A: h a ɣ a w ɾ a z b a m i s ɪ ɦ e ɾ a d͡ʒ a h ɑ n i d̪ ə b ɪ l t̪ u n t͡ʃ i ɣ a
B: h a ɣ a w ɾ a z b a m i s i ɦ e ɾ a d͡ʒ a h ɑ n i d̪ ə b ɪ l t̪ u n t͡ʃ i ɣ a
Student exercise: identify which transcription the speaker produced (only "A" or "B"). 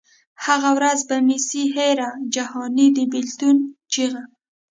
B